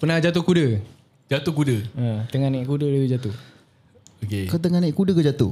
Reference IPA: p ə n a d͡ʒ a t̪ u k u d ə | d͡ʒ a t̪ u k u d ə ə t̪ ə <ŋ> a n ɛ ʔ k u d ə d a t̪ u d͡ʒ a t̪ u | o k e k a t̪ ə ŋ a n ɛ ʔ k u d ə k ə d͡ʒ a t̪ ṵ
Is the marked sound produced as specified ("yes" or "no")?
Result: yes